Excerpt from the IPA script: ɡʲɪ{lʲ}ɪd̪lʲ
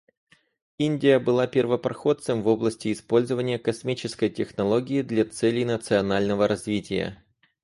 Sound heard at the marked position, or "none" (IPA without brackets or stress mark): none